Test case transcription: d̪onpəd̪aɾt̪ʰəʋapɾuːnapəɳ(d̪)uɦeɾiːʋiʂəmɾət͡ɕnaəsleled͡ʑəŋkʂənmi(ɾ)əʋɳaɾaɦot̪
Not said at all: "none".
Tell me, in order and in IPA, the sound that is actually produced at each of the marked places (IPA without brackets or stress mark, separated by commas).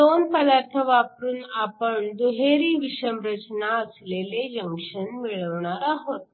d̪, ɭ